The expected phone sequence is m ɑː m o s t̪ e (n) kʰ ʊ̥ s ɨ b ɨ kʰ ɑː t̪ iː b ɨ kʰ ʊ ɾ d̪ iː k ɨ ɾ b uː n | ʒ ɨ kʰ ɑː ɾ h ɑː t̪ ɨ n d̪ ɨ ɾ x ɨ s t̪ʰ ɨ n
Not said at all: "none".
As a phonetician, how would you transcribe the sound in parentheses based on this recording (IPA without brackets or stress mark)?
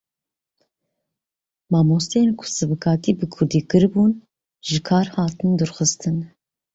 n